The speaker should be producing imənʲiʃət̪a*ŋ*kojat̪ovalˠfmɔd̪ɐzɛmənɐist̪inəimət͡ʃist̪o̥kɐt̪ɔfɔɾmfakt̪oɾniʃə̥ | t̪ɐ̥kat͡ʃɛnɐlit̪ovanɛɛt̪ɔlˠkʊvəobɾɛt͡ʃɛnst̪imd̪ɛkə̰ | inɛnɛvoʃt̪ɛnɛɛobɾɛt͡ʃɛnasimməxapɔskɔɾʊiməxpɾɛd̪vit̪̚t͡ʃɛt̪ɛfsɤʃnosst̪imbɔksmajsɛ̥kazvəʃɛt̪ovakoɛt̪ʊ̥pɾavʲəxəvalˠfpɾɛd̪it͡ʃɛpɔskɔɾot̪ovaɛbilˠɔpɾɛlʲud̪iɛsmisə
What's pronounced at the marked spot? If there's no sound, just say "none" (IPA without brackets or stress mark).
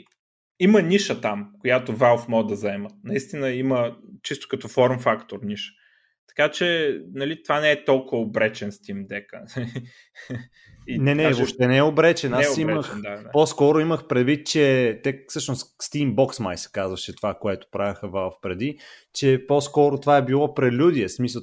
m